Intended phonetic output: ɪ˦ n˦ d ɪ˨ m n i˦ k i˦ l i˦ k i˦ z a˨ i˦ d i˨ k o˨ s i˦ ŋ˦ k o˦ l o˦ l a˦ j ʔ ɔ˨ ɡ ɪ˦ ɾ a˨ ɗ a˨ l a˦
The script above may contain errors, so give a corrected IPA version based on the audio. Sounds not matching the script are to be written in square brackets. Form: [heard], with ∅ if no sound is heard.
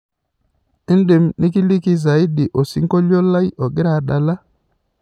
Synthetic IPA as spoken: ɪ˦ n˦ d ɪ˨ m n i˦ k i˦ l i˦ k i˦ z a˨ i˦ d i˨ [ʔ] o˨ s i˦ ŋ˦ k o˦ l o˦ l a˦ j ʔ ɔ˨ ɡ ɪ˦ ɾ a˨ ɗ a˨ l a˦